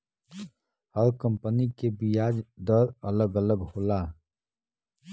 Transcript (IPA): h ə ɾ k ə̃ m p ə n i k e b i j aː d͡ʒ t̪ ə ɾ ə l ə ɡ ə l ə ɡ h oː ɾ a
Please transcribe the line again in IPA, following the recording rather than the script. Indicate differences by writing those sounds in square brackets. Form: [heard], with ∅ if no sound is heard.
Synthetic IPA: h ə ɾ k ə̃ m p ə n i k e b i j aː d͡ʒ [d̪] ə ɾ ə l ə ɡ ə l ə ɡ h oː [l] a